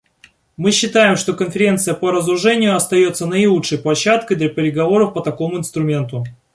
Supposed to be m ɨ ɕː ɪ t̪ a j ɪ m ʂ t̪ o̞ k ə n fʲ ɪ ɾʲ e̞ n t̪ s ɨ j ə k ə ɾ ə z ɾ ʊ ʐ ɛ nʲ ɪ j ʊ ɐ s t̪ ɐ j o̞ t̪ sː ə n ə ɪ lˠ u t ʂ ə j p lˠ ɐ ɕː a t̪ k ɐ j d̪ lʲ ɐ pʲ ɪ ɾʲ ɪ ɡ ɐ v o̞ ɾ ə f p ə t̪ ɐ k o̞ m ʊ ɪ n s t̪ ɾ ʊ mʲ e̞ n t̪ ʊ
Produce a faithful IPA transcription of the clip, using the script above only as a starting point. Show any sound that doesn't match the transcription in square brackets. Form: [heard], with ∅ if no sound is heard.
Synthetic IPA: m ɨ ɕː ɪ t̪ a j ɪ m ʂ t̪ o̞ k ə n fʲ ɪ ɾʲ e̞ n t̪ s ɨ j ə [p] ə ɾ ə z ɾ ʊ ʐ ɛ nʲ ɪ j ʊ ɐ s t̪ ɐ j o̞ t̪ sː ə n ə ɪ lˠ u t ʂ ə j p lˠ ɐ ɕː a t̪ k [ə] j d̪ lʲ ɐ pʲ ɪ ɾʲ ɪ ɡ ɐ v o̞ ɾ ə f p ə t̪ ɐ k o̞ m ʊ ɪ n s t̪ ɾ ʊ mʲ e̞ n t̪ ʊ